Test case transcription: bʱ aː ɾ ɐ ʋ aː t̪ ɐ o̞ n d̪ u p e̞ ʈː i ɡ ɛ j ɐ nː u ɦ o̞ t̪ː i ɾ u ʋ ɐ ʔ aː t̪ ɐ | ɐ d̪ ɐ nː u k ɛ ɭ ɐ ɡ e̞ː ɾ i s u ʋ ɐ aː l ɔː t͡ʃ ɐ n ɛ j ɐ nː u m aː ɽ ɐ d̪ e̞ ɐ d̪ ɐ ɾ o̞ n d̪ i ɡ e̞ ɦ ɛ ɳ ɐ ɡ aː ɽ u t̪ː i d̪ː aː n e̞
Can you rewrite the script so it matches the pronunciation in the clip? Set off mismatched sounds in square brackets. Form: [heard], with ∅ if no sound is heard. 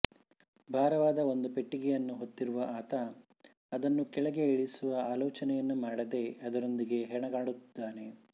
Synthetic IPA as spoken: bʱ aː ɾ ɐ ʋ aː [d̪] ɐ o̞ n d̪ u p e̞ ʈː i ɡ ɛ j ɐ nː u ɦ o̞ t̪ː i ɾ u ʋ ɐ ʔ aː t̪ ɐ | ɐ d̪ ɐ nː u k ɛ ɭ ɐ ɡ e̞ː [ɭ] i s u ʋ ɐ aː l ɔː t͡ʃ ɐ n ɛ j ɐ nː u m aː ɽ ɐ d̪ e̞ ɐ d̪ ɐ ɾ o̞ n d̪ i ɡ e̞ ɦ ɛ ɳ ɐ ɡ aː ɽ u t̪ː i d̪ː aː n e̞